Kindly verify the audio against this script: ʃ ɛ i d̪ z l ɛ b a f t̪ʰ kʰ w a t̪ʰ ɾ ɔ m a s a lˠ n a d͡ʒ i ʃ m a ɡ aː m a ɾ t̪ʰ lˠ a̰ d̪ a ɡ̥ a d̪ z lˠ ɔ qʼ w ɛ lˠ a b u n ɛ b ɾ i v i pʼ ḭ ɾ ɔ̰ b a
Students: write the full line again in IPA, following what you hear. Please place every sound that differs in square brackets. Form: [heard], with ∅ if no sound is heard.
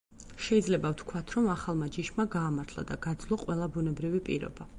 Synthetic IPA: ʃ ɛ i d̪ z l ɛ b a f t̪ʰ kʰ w a t̪ʰ ɾ ɔ m a [χ] a lˠ [m] a d͡ʒ i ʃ m a ɡ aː m a ɾ t̪ʰ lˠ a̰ d̪ a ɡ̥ a d̪ z lˠ ɔ qʼ w ɛ lˠ a b u n ɛ b ɾ i v i pʼ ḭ ɾ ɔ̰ b a